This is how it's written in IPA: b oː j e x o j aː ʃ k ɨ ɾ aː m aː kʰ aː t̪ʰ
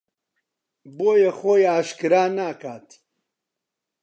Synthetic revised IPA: b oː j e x o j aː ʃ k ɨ ɾ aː n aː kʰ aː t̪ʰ